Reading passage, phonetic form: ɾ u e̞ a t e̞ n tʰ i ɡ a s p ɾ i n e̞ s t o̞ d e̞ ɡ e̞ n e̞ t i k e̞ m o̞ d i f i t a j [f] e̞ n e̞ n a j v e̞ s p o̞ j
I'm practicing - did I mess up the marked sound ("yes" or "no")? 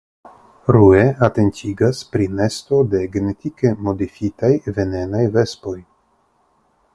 yes